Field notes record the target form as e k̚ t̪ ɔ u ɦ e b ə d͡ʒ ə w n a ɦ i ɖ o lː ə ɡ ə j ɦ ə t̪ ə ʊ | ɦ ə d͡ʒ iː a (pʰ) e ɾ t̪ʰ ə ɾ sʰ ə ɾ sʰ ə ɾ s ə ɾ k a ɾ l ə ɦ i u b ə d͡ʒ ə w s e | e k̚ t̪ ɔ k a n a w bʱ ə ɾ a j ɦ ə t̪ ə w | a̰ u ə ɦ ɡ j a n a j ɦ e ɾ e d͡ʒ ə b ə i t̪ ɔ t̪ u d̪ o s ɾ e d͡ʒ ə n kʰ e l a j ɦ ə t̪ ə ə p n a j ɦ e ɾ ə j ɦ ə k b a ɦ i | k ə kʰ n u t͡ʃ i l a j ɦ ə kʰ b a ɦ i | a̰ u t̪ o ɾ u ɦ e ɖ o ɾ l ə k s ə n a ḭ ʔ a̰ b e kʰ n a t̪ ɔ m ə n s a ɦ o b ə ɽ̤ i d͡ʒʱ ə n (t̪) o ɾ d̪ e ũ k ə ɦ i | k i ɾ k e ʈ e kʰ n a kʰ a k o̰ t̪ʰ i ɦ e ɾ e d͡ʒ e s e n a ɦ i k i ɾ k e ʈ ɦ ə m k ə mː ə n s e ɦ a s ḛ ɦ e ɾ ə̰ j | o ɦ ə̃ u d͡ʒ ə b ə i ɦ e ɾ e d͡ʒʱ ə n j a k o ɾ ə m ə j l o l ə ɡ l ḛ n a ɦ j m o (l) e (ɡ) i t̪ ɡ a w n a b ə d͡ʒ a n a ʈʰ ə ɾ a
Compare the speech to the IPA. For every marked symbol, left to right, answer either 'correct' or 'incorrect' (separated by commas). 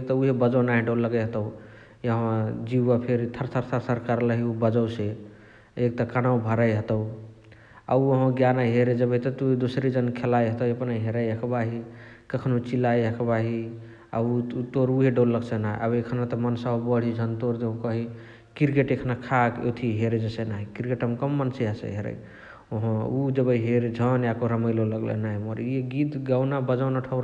correct, correct, incorrect, correct